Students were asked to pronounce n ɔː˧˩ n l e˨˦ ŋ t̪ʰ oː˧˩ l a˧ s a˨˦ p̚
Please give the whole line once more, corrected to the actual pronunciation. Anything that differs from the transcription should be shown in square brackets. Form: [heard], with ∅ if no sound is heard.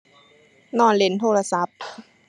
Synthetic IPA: n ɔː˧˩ n l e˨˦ [n] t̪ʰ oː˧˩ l a˧ s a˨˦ p̚

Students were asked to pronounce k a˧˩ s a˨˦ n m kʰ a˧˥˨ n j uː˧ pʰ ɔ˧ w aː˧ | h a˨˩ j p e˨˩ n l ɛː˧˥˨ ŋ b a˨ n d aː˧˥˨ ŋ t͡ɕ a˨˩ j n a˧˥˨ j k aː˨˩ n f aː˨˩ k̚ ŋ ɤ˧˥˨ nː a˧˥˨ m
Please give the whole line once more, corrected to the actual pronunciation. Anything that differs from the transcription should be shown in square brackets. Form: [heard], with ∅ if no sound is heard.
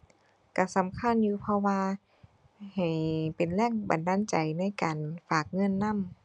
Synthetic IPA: k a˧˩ s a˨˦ [∅] m kʰ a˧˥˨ n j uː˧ pʰ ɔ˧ w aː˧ | h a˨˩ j p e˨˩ n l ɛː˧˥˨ ŋ b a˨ n d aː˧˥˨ [n] t͡ɕ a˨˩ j n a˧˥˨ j k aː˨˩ n f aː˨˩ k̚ ŋ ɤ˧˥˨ nː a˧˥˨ m

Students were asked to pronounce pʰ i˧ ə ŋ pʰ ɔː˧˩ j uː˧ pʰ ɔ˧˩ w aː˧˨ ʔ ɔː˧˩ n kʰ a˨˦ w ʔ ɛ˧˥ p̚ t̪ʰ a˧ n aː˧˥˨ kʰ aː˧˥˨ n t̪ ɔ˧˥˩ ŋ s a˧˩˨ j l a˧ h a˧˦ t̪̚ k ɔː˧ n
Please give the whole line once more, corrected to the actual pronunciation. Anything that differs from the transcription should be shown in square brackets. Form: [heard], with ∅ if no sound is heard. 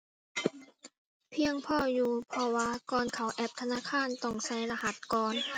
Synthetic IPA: pʰ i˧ ə ŋ pʰ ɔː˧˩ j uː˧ pʰ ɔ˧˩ w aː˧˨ [k] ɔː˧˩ n kʰ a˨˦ w ʔ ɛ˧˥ p̚ t̪ʰ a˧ n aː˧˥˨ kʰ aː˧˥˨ n t̪ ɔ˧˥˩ ŋ s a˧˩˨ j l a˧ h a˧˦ t̪̚ k ɔː˧ n

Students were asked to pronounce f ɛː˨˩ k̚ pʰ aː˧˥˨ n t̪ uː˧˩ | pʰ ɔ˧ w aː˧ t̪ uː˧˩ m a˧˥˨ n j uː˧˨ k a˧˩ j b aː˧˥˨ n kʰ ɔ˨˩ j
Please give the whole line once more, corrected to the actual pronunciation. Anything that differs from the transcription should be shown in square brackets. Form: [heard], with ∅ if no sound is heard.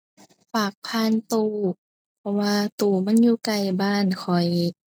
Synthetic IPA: f [aː˨˩] k̚ pʰ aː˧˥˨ n t̪ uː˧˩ | pʰ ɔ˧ w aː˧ t̪ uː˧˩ m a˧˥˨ n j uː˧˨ k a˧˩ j b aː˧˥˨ n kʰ ɔ˨˩ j

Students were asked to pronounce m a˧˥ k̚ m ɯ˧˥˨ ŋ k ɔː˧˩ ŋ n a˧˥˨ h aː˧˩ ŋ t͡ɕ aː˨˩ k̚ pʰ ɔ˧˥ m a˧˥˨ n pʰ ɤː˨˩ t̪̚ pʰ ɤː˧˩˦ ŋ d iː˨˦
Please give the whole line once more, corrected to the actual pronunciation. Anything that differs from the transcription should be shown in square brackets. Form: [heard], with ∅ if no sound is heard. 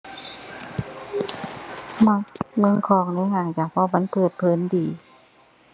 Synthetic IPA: m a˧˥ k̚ m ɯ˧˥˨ ŋ [kʰ] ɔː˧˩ ŋ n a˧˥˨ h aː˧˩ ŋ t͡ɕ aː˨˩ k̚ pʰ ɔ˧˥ m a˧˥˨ n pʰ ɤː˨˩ t̪̚ pʰ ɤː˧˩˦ [n] d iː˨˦

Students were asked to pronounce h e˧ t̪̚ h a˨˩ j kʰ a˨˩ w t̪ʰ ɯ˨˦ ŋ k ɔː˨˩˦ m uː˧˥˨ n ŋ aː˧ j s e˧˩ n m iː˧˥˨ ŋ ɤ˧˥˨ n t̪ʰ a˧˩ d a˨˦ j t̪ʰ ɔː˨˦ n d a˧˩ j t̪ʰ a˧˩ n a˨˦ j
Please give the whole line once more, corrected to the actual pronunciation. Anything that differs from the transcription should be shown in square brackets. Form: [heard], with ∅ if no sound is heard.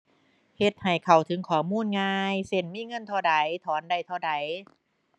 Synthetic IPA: h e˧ t̪̚ h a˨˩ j kʰ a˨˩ w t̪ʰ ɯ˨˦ ŋ [kʰ] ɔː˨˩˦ m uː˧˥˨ n ŋ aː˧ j s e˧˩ n m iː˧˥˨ ŋ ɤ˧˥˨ n t̪ʰ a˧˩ d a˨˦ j t̪ʰ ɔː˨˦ n d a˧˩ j t̪ʰ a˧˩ [d] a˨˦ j

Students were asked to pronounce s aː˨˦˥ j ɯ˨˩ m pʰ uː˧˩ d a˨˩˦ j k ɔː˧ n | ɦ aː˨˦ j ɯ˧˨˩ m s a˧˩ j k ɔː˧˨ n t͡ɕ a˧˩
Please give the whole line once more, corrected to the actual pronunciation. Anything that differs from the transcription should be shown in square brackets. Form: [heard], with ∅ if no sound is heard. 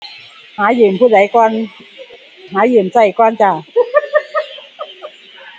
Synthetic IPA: [h] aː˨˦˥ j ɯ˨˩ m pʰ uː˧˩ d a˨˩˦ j k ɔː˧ n | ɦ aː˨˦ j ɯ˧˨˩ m s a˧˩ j k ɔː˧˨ n t͡ɕ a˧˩

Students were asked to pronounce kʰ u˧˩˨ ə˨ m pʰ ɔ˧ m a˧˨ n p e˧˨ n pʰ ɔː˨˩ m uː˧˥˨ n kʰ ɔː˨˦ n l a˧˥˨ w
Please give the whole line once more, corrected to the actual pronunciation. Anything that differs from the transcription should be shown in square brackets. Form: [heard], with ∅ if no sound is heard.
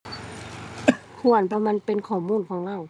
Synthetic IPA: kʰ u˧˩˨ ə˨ [n] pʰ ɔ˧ m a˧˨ n p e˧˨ n [kʰ] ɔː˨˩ m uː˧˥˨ n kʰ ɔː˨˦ [ŋ] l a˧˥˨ w

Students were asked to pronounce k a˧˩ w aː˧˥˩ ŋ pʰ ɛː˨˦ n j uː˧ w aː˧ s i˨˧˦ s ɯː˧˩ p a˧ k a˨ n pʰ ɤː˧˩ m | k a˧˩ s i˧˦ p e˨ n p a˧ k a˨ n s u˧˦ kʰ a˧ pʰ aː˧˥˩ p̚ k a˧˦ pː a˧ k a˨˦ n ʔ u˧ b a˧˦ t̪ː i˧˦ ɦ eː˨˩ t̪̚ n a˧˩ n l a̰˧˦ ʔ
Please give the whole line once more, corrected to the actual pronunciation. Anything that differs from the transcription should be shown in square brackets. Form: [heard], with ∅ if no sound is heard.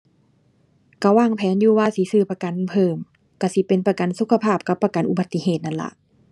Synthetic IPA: k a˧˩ w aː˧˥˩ ŋ pʰ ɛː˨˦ n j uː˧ w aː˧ s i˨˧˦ s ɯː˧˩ p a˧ k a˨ n pʰ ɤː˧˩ m | k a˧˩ s i˧˦ p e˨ n p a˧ k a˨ n s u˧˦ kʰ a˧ pʰ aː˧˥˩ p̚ k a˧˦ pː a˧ k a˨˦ n ʔ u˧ b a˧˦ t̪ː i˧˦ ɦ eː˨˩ t̪̚ n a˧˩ n l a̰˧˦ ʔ

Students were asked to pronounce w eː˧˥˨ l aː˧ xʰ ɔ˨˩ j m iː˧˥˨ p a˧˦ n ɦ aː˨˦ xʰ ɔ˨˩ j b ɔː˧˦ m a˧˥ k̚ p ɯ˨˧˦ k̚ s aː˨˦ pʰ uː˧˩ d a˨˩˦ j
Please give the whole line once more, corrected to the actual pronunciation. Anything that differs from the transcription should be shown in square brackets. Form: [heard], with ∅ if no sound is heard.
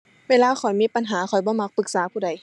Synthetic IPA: w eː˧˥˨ l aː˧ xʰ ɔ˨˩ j m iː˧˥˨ p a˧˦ n ɦ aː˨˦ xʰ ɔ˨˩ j b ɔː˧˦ m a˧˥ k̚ p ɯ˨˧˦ k̚ s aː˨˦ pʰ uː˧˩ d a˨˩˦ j

